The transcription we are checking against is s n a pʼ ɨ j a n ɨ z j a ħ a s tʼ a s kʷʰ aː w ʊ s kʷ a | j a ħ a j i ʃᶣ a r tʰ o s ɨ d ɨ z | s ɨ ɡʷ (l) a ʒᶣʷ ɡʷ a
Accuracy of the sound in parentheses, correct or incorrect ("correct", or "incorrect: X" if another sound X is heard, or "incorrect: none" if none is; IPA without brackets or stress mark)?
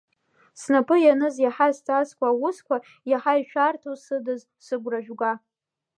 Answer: incorrect: r